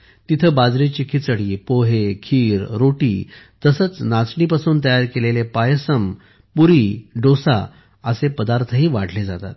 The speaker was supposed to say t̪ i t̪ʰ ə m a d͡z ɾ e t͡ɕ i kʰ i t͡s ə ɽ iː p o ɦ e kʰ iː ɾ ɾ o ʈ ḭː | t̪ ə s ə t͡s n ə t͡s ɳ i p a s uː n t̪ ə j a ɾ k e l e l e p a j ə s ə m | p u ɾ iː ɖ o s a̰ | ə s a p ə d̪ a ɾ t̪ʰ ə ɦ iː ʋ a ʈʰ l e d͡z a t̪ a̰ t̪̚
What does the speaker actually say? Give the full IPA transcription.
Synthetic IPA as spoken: t̪ i t̪ʰ ə b a d͡z ɾ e t͡ɕ i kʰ i t͡s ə ɽ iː p o ɦ e kʰ iː ɾ ɾ o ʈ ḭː | t̪ ə s ə t͡s n a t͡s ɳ i p a s uː n t̪ ə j a ɾ k e l e l e p a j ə s ə m | p u ɾ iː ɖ o s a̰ | ə s e p ə d̪ a ɾ t̪ʰ ə ɦ iː ʋ a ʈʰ l e d͡z a t̪ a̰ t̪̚